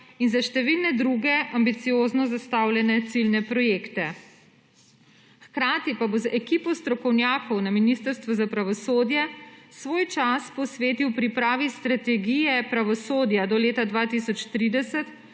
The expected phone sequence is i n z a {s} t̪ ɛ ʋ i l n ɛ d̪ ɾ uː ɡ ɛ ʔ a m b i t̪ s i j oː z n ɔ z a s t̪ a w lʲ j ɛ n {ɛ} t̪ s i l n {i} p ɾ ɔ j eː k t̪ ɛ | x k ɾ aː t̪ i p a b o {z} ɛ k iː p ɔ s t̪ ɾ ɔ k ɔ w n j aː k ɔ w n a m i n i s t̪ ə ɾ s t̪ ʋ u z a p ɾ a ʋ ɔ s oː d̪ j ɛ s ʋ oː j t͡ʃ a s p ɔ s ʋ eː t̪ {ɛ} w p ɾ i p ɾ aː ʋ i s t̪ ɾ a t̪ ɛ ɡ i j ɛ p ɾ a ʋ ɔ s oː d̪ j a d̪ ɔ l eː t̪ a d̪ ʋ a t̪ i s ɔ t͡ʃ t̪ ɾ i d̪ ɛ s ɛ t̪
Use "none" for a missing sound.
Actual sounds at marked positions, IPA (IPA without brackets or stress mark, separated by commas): ʃ, ɛ, ɛ, z, i